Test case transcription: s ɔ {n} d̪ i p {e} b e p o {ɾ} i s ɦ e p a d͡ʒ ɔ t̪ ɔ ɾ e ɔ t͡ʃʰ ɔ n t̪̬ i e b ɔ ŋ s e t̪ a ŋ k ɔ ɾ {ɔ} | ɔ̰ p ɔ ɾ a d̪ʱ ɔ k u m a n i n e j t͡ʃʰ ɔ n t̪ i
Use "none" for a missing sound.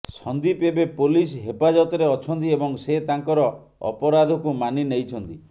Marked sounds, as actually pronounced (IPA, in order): n, e, l, ɔ

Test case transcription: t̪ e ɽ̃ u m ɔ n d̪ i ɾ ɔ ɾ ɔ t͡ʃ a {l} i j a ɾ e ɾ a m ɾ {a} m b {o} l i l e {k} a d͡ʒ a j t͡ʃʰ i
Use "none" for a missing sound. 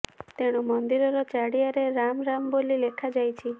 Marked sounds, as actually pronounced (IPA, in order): ɽ, a, o, kʰ

